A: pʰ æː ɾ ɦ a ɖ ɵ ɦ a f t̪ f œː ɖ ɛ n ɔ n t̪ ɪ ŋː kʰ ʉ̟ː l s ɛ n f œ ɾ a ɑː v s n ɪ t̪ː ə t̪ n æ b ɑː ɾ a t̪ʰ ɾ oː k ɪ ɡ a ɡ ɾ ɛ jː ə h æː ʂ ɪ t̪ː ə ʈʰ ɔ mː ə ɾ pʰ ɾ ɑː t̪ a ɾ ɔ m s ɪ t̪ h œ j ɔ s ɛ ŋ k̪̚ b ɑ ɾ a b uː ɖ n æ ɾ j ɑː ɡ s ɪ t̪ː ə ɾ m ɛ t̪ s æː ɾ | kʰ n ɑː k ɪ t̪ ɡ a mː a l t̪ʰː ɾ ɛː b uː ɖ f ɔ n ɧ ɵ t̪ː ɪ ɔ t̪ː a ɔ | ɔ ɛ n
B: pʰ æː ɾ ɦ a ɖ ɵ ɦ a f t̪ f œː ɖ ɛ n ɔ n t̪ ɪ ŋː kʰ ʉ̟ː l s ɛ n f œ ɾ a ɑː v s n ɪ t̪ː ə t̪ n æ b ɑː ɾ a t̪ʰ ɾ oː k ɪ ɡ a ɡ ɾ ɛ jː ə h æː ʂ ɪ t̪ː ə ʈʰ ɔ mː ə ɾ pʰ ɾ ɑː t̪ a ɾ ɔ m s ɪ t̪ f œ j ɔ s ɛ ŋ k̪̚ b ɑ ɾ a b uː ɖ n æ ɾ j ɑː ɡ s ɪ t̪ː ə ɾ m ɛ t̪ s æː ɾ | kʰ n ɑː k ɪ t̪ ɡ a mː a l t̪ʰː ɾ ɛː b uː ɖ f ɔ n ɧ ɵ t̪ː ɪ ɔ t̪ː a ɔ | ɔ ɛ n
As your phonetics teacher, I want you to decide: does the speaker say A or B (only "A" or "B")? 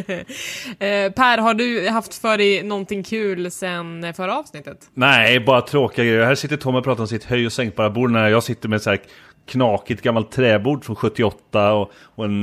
A